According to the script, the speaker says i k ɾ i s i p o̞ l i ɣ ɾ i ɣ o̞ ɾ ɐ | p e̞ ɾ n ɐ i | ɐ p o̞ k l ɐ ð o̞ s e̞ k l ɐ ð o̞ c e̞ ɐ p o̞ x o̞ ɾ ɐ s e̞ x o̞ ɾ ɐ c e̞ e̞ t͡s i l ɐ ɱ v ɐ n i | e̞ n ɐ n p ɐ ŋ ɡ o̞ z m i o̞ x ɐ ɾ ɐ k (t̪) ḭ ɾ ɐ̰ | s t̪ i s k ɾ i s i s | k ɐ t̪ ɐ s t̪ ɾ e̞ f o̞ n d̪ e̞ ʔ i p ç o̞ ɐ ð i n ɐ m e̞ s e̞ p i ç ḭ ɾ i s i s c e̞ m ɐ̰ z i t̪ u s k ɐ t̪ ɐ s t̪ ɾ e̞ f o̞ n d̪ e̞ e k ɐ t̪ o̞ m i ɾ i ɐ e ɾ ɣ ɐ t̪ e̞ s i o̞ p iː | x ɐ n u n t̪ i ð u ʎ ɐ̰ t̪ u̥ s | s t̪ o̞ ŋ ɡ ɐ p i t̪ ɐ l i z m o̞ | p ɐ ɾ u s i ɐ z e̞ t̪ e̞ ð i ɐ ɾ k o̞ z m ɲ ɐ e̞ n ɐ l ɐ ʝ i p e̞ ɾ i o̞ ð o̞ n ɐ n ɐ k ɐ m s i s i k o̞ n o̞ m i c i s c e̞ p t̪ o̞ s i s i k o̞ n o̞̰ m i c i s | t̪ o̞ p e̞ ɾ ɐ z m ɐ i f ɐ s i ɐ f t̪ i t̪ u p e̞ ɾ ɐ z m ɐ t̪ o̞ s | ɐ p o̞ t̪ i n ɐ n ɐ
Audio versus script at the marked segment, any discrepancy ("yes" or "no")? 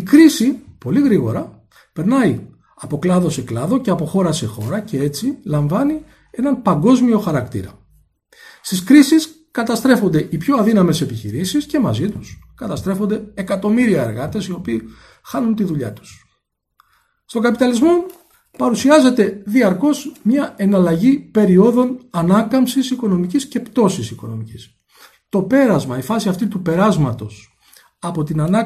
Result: no